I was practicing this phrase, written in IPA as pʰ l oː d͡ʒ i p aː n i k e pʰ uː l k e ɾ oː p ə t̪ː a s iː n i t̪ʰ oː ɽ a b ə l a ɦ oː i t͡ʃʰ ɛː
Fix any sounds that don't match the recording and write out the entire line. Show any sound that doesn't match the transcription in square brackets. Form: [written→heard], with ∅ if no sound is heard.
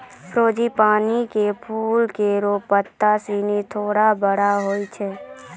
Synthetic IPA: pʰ [l→ɾ] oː d͡ʒ i p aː n i k e pʰ uː l k e ɾ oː p ə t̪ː a s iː n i t̪ʰ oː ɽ a b ə [l→ɽ] a ɦ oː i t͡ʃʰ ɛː

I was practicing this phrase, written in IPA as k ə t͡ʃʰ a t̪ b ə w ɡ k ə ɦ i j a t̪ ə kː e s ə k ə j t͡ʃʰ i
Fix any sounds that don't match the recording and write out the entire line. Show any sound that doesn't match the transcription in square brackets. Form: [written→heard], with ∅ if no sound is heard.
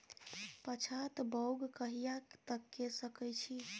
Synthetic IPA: [k→p] ə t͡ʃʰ a t̪ b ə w ɡ k ə ɦ i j a t̪ ə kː e s ə k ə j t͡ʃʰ i

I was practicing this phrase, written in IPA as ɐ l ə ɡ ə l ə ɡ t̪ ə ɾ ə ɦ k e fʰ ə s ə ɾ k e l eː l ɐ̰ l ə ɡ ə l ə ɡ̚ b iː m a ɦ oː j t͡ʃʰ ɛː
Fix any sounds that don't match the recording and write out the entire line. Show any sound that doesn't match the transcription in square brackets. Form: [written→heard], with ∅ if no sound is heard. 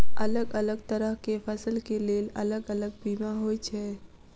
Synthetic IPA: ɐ l ə ɡ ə l ə ɡ t̪ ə ɾ ə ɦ k e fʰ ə s ə [ɾ→l] k e l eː l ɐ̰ l ə ɡ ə l ə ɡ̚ b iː m a ɦ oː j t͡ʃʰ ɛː

